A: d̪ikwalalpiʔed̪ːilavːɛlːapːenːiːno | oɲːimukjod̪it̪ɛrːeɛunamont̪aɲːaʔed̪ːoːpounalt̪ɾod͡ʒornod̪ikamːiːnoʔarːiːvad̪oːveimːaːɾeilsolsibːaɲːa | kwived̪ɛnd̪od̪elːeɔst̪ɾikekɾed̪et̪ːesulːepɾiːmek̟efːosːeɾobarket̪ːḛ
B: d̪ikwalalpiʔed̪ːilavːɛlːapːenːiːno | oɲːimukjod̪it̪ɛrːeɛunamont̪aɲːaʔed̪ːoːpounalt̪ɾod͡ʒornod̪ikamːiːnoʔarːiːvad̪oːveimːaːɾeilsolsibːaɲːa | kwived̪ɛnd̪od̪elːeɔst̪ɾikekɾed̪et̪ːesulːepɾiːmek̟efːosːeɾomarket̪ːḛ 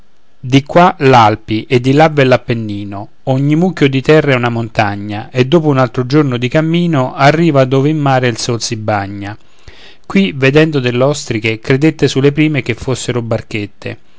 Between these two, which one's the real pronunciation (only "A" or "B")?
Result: A